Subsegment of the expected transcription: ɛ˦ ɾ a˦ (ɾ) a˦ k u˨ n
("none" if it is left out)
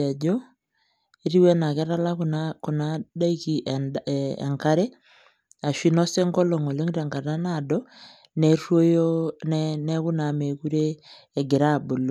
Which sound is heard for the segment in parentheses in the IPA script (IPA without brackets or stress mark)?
l